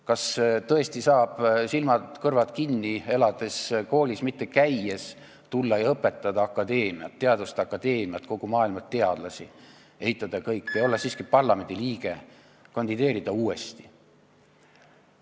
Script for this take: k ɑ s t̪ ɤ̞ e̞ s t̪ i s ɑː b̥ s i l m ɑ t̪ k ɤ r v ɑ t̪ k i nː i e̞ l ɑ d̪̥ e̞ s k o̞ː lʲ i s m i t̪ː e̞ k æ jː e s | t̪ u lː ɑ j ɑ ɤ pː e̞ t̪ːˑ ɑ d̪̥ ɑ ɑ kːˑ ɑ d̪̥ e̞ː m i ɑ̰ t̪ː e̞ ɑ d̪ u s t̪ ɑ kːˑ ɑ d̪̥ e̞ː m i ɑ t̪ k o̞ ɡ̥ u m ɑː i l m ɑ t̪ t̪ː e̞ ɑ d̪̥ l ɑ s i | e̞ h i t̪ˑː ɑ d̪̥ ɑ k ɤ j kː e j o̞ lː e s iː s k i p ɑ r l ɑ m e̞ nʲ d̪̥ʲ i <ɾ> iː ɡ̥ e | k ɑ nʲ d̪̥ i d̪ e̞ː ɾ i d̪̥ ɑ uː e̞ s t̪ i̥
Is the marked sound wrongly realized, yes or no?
yes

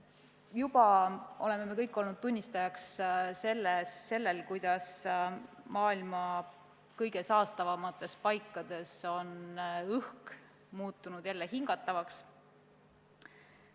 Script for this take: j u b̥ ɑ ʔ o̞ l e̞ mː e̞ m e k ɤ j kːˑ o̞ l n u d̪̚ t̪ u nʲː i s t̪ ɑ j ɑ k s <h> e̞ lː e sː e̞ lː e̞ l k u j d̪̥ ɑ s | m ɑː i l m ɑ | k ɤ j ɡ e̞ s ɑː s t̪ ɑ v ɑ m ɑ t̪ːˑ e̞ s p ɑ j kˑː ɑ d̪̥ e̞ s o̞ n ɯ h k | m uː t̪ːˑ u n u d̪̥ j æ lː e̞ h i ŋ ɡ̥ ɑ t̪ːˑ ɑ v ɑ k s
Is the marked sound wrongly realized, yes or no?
yes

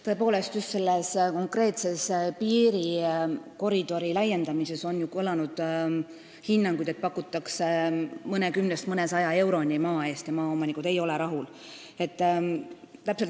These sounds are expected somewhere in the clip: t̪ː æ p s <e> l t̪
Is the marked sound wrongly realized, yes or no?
no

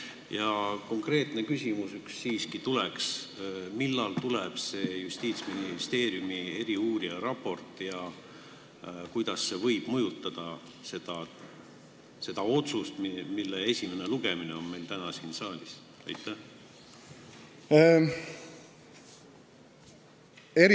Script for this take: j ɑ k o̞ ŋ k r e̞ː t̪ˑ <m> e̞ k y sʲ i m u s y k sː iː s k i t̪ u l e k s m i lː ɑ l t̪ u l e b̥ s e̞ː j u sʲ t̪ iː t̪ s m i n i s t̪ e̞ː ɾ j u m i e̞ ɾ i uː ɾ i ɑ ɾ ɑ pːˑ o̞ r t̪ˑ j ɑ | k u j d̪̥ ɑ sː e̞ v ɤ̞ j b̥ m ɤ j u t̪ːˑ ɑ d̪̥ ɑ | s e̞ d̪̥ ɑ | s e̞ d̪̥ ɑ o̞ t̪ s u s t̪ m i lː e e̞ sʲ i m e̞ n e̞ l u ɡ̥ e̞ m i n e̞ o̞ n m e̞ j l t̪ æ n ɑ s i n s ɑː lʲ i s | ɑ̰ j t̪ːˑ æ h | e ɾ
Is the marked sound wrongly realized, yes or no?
yes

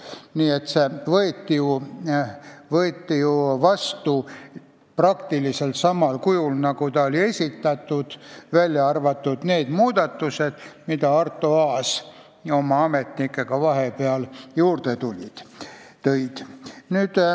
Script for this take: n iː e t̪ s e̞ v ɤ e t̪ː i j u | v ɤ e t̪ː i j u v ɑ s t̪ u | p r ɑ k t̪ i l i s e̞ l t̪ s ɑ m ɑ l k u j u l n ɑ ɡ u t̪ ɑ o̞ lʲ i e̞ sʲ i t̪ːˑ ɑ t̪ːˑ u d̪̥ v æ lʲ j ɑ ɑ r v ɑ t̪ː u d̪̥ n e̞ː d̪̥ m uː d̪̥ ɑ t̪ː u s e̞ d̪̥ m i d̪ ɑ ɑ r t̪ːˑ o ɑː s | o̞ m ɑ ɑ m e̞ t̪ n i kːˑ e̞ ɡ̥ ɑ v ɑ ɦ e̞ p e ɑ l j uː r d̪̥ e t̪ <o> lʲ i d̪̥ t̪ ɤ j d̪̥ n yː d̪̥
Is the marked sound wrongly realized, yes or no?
yes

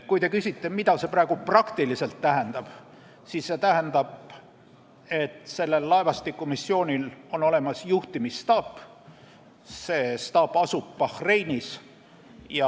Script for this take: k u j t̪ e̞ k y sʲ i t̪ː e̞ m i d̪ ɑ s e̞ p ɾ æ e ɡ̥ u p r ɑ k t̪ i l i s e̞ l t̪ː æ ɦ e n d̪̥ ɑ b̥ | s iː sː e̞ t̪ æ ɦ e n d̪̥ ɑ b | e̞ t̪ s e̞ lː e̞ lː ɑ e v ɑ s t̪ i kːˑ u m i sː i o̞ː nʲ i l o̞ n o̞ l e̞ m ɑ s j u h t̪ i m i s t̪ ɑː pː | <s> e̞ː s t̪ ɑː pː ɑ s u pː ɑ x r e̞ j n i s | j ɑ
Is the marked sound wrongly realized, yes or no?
no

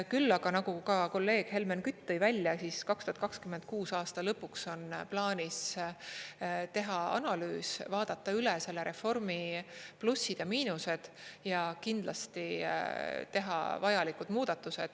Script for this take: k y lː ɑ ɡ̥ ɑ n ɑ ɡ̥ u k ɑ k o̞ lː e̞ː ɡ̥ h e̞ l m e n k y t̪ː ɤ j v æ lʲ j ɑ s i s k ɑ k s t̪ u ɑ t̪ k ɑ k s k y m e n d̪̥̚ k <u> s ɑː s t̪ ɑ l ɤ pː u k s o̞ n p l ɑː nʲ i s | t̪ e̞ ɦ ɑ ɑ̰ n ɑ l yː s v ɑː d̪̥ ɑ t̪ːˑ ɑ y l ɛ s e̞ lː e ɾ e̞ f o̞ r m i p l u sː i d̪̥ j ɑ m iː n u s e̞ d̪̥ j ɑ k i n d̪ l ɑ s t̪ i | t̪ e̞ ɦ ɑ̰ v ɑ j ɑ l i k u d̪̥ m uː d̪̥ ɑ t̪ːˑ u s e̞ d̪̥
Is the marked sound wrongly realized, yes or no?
yes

